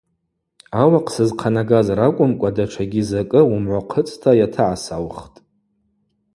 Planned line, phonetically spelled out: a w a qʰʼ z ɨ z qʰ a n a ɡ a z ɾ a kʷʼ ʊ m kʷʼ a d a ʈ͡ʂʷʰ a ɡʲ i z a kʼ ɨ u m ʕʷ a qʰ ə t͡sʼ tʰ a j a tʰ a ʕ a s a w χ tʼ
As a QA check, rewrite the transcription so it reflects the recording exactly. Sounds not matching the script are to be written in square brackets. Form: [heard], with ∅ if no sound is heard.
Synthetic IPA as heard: a w a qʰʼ [s] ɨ z qʰ a n a ɡ a z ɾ a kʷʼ ʊ m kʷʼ a d a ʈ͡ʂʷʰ a ɡʲ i z a kʼ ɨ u m ʕʷ a qʰ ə t͡sʼ tʰ a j a tʰ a ʕ a s a w χ tʼ